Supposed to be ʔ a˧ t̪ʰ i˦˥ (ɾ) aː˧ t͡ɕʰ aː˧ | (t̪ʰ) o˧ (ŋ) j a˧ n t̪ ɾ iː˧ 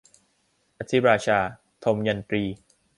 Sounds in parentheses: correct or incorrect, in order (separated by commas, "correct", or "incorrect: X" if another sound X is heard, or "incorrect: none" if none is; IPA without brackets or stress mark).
correct, correct, incorrect: m